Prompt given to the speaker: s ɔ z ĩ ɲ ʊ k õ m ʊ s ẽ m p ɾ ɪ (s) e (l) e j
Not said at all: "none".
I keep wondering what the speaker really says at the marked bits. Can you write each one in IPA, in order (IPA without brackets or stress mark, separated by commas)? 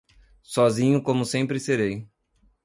s, ɾ